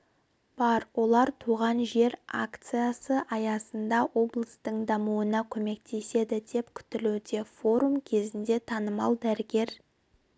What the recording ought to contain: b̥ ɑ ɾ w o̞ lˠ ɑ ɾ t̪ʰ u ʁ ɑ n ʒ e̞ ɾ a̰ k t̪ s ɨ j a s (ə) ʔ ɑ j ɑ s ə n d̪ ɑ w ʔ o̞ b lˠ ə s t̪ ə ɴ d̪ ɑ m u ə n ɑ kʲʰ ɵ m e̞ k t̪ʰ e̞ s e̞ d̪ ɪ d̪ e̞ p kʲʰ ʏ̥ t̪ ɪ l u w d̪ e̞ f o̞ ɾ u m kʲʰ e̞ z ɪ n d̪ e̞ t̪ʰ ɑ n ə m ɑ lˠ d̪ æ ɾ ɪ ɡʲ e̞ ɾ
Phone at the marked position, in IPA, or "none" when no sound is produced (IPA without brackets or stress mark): ə